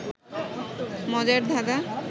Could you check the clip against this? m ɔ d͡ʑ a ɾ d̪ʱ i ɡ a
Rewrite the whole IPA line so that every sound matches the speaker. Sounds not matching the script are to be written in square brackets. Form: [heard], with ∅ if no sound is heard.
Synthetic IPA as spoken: m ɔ d͡ʑ a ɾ d̪ʱ [a] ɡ a